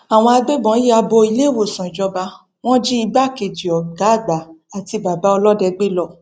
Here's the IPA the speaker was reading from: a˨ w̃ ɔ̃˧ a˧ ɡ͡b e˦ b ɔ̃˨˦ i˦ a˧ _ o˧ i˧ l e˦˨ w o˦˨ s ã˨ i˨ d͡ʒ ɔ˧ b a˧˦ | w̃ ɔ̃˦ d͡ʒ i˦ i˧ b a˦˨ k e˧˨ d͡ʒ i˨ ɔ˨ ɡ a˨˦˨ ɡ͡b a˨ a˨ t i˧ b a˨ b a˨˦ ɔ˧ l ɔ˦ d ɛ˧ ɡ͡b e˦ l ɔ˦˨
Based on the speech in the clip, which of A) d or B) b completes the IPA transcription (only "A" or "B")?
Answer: B